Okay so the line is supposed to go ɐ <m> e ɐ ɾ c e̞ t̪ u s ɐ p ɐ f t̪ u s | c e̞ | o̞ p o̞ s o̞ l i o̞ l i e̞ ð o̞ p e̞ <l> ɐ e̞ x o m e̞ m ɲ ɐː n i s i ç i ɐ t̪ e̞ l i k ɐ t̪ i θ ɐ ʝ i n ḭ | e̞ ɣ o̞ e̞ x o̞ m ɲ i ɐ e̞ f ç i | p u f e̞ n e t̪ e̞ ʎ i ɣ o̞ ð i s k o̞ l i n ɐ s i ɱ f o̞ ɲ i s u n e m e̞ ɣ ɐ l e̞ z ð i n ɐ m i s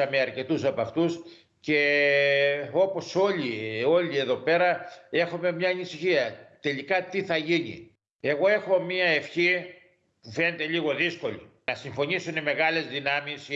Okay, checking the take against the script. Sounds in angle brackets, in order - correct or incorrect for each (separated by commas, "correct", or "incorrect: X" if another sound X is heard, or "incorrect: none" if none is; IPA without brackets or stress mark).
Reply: correct, incorrect: ɾ